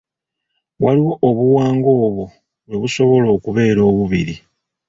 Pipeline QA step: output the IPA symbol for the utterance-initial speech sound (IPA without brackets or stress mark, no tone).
w